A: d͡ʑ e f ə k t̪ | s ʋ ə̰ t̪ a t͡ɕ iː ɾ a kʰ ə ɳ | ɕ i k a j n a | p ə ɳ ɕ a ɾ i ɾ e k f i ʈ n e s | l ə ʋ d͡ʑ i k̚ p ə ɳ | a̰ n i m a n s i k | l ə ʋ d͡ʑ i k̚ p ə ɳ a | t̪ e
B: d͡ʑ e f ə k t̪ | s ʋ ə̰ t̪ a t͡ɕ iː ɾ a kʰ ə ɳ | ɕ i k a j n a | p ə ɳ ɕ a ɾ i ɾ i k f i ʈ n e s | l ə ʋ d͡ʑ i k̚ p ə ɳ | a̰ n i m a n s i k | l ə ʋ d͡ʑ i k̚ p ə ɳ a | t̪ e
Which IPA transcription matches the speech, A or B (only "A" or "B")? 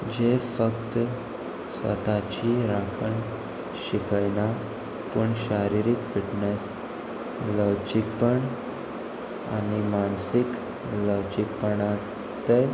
B